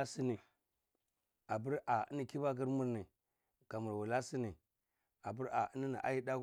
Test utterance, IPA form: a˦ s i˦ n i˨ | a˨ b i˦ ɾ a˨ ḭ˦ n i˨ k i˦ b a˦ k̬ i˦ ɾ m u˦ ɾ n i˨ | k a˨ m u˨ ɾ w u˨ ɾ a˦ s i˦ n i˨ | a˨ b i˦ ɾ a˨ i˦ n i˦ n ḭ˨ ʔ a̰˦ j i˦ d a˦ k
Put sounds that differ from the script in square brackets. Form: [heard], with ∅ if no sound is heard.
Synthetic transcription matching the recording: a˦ s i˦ n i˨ | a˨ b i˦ ɾ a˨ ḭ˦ n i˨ k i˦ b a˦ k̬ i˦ ɾ m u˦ ɾ n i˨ | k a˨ m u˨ ɾ w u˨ [l] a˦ s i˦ n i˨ | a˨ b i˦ ɾ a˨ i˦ n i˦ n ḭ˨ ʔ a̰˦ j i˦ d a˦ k